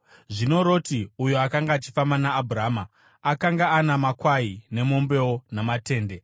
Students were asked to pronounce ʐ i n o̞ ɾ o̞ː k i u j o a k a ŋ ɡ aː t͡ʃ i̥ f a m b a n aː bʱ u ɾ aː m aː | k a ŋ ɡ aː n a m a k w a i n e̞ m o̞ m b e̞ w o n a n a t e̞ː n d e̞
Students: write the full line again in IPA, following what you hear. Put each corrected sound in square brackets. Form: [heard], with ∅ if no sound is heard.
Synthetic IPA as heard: ʐ i n o̞ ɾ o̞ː [t] i u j o a k a ŋ ɡ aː t͡ʃ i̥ f a m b a n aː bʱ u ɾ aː m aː | k a ŋ ɡ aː n a m a k w a i n e̞ m o̞ m b e̞ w o n a [m] a t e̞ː n d e̞